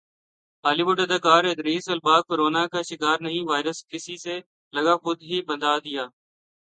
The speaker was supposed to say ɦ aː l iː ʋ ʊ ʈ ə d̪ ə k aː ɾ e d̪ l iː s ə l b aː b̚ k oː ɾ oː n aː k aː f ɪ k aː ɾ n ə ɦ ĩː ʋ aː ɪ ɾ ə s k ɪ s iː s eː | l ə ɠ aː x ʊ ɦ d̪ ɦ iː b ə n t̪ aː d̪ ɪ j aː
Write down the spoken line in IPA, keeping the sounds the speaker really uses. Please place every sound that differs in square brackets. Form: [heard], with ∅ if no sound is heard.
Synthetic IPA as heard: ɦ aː l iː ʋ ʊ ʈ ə d̪ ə k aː ɾ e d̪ [ɾ] iː s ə l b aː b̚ k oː ɾ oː n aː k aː [ʃ] ɪ k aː ɾ n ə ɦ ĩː ʋ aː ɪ ɾ ə s k ɪ s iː s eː | l ə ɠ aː x ʊ [∅] d̪ ɦ iː b ə n [d̪] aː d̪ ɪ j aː

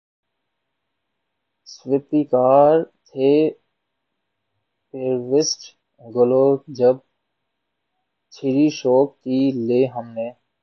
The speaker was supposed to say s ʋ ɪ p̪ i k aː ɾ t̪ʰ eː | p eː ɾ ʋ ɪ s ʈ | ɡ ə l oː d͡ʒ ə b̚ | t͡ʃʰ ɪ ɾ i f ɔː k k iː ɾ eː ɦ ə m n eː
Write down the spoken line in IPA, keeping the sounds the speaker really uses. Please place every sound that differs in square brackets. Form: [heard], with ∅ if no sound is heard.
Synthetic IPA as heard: s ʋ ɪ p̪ i k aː ɾ t̪ʰ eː | p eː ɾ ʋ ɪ s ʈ | ɡ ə l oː d͡ʒ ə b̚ | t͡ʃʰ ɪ ɾ i [ʃ] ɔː k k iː [l] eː ɦ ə m n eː

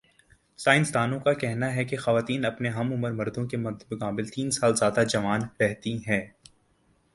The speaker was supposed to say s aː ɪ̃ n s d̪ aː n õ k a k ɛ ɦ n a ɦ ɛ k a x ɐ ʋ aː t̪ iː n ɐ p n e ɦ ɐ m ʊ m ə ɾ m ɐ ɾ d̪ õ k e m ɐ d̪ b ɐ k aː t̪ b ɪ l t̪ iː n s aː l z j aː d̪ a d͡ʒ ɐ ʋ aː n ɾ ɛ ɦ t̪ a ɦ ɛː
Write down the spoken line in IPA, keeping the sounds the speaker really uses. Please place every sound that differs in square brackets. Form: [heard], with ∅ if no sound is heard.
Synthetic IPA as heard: s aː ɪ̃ n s d̪ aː n õ k a k ɛ ɦ n a ɦ ɛ k [e] x ɐ ʋ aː t̪ iː n ɐ p n e ɦ ɐ m ʊ m ə ɾ m ɐ ɾ d̪ õ k e m ɐ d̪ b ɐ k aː [∅] b ɪ l t̪ iː n s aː l z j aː d̪ a d͡ʒ ɐ ʋ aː n ɾ ɛ ɦ t̪ [i] ɦ ɛː

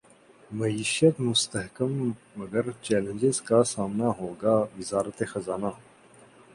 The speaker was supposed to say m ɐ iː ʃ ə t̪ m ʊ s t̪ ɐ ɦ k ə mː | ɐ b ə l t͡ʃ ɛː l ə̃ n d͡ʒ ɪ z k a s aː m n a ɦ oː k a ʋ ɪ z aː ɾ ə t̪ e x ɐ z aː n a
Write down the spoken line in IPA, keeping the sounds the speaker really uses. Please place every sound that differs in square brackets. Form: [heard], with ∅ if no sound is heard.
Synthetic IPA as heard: m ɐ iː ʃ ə t̪ m ʊ s t̪ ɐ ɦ k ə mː | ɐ [ɡ] ə [ɾ] t͡ʃ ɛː l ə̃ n d͡ʒ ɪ z k a s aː m n a ɦ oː [ɡ] a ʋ ɪ z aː ɾ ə t̪ e x ɐ z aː n a

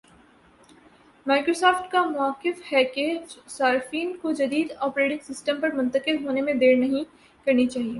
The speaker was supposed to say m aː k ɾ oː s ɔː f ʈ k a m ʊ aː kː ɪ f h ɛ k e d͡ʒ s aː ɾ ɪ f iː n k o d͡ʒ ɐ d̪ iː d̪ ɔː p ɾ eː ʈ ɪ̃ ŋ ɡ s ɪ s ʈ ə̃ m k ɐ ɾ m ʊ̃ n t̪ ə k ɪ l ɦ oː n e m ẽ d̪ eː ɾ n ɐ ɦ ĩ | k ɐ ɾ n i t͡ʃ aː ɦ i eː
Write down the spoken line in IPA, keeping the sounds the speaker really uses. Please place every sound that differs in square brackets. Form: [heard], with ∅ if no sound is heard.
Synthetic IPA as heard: m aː k ɾ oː s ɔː f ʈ k a m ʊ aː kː ɪ f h ɛ k e d͡ʒ s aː ɾ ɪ f iː n k o d͡ʒ ɐ d̪ iː d̪ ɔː p ɾ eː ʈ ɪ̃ ŋ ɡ s ɪ s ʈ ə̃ m [p] ɐ ɾ m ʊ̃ n t̪ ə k ɪ l ɦ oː n e m ẽ d̪ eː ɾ n ɐ ɦ ĩ | k ɐ ɾ n i t͡ʃ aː ɦ i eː

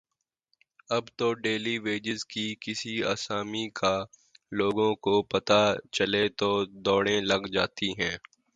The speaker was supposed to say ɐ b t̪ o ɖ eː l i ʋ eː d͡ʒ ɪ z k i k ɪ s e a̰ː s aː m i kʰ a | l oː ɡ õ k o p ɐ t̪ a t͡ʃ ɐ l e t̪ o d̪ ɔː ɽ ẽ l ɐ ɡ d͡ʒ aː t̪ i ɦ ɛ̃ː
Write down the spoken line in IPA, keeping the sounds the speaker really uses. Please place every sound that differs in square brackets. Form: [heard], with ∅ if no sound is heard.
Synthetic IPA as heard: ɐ b t̪ o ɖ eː l i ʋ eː d͡ʒ ɪ z k i k ɪ s [i] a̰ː s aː m i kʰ a | l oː ɡ õ k o p ɐ t̪ a t͡ʃ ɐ l e t̪ o d̪ ɔː ɽ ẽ l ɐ ɡ d͡ʒ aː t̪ i ɦ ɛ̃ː

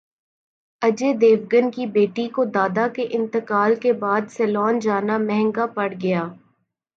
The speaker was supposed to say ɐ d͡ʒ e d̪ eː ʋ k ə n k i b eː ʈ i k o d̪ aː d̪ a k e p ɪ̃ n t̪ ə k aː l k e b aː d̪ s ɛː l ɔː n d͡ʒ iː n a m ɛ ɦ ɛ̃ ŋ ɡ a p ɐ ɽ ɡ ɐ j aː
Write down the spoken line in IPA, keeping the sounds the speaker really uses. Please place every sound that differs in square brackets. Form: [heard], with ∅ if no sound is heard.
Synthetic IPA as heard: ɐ d͡ʒ e d̪ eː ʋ [ɡ] ə n k i b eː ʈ i k o d̪ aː d̪ a k e [ʔ] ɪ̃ n t̪ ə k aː l k e b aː d̪ s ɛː l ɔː n d͡ʒ [aː] n a m ɛ ɦ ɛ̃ ŋ ɡ a p ɐ ɽ ɡ ɐ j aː

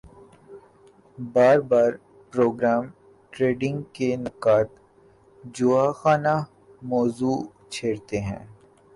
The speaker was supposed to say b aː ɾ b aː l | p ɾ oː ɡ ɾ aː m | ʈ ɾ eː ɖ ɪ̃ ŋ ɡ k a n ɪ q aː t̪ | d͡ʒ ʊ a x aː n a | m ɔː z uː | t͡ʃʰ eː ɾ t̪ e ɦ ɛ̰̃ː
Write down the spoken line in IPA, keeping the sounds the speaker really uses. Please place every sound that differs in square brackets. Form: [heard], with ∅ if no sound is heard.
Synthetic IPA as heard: b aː ɾ b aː [ɾ] | p ɾ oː ɡ ɾ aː m | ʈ ɾ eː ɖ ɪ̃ ŋ ɡ k [e] n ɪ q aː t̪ | d͡ʒ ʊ a x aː n a | m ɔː z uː | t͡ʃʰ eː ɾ t̪ e ɦ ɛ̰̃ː

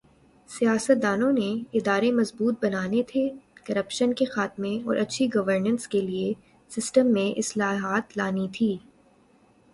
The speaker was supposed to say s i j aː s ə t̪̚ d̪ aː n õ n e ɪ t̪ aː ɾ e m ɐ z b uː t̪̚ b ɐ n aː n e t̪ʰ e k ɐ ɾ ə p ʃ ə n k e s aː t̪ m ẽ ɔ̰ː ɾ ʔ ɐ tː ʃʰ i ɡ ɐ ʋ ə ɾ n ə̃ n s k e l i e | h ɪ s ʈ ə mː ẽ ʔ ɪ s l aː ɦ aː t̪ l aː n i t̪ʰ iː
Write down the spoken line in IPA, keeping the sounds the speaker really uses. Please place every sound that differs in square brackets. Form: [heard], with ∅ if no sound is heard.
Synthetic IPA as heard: s i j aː s ə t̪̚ d̪ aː n õ n e ɪ [d̪] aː ɾ e m ɐ z b uː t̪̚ b ɐ n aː n e t̪ʰ e k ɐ ɾ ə p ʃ ə n k e [x] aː t̪ m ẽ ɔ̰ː ɾ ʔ ɐ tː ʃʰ i ɡ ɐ ʋ ə ɾ n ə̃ n s k e l i e | [s] ɪ s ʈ ə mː ẽ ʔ ɪ s l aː ɦ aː t̪ l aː n i t̪ʰ iː

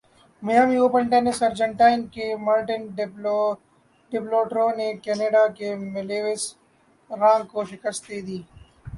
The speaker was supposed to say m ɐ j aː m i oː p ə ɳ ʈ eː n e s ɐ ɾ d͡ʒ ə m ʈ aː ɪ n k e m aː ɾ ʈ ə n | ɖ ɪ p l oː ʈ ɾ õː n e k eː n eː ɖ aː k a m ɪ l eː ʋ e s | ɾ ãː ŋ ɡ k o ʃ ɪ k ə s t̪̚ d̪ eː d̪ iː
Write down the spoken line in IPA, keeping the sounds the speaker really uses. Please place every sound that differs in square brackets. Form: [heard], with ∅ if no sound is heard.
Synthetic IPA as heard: m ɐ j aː m i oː p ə ɳ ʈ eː n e s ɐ ɾ d͡ʒ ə [ɳ] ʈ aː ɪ n k e m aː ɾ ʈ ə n | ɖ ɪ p l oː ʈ ɾ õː n e k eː n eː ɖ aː k [e] m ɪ l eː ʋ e s | ɾ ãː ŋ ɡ k o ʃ ɪ k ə s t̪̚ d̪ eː d̪ iː

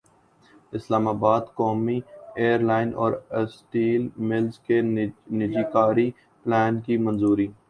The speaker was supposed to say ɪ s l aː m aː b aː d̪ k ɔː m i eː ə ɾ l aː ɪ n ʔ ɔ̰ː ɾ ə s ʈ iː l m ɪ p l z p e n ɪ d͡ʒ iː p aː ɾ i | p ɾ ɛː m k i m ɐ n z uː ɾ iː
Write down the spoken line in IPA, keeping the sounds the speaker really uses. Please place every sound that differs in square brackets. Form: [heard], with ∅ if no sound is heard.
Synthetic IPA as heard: ɪ s l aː m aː b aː d̪ k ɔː m i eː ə ɾ l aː ɪ n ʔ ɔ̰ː ɾ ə s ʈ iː l m ɪ [∅] l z [k] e n ɪ d͡ʒ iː [k] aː ɾ i | p [l] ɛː [n] k i m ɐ n z uː ɾ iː

